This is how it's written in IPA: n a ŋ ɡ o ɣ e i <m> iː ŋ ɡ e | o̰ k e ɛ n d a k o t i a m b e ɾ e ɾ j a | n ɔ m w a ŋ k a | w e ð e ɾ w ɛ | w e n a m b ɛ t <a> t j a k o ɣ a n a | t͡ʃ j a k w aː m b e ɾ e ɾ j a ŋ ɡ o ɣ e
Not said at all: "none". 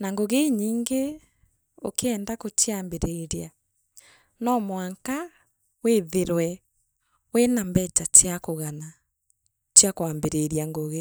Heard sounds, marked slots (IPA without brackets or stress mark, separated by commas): ɲ, a